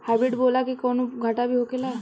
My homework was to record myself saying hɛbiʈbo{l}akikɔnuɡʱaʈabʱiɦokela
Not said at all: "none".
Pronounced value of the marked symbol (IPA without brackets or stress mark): l